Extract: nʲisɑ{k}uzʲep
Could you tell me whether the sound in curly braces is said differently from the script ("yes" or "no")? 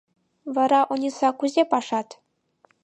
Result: no